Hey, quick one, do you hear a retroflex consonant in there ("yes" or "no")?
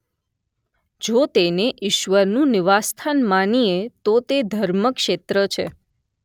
no